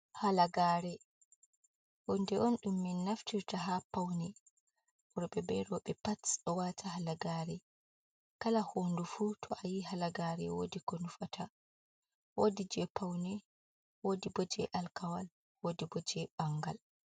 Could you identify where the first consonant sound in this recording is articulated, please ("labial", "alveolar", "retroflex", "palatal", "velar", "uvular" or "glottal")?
glottal